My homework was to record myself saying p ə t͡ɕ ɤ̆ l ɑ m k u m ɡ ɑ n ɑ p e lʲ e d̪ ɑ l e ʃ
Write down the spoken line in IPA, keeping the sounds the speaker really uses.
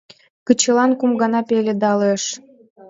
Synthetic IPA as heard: k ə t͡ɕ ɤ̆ l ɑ n k u m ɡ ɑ n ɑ p e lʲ e d̪ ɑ l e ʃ